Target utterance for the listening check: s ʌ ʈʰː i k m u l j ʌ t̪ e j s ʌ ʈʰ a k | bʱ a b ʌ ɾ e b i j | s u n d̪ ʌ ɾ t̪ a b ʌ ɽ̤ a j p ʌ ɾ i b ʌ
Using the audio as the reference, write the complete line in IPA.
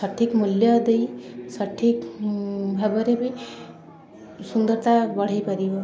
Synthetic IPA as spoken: s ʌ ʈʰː i k m u l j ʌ d̪ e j s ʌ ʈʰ i k | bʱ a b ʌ ɾ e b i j | s u n d̪ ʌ ɾ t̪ a b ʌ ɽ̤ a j p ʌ ɾ i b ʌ